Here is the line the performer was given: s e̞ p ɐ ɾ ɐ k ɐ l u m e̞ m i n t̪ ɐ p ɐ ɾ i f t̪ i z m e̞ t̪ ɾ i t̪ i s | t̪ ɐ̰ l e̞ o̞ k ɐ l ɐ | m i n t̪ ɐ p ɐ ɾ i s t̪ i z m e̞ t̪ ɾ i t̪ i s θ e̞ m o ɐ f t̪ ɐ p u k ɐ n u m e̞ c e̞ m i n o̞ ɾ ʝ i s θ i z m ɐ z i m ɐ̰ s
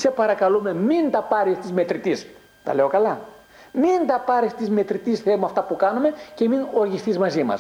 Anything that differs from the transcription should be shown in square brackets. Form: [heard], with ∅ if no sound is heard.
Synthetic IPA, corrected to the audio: s e̞ p ɐ ɾ ɐ k ɐ l u m e̞ m i n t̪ ɐ p ɐ ɾ i [s] t̪ i z m e̞ t̪ ɾ i t̪ i s | t̪ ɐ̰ l e̞ o̞ k ɐ l ɐ | m i n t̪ ɐ p ɐ ɾ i s t̪ i z m e̞ t̪ ɾ i t̪ i s θ e̞ m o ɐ f t̪ ɐ p u k ɐ n u m e̞ c e̞ m i n o̞ ɾ ʝ i s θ i z m ɐ z i m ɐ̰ s